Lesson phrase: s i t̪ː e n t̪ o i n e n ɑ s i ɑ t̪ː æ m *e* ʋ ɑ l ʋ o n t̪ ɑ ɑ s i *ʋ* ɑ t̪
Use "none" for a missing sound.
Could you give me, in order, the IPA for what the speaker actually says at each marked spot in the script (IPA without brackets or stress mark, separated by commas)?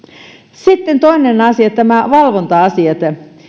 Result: æ, none